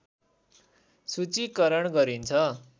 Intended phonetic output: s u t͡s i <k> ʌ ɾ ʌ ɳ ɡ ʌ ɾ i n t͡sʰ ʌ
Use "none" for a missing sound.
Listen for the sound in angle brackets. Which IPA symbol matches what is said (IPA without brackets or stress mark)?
k